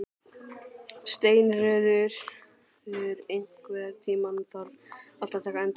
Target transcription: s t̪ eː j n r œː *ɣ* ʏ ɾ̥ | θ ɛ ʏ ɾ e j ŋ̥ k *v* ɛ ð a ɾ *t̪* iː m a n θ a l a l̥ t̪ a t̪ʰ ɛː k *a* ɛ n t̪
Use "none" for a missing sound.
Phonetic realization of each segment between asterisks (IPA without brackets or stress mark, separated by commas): ð, v, t̪ʰ, a